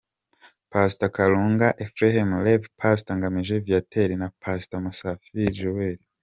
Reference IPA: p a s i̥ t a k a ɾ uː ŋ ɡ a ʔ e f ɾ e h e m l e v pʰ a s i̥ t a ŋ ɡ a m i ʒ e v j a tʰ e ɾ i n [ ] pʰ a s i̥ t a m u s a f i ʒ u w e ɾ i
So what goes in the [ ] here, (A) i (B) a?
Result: B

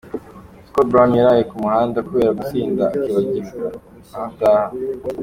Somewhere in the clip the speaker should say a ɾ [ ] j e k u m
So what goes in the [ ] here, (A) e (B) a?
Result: B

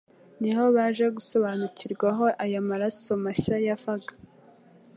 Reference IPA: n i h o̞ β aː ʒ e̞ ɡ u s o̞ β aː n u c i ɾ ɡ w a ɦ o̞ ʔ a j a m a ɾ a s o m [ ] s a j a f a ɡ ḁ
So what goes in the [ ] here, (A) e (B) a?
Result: B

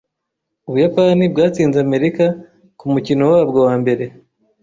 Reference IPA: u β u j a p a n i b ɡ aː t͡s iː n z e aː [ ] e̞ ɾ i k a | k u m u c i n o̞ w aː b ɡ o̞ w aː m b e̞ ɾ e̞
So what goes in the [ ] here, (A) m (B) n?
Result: A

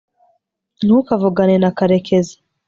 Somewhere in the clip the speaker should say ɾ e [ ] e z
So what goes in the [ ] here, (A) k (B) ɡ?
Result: A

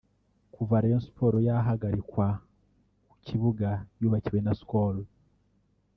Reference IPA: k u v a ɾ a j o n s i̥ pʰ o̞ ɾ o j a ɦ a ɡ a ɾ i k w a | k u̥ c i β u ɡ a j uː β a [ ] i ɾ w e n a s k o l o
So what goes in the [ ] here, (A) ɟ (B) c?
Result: B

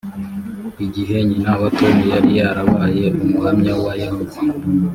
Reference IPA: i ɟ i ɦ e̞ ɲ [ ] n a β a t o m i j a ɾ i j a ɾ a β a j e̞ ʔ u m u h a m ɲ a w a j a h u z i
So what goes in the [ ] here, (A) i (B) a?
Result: A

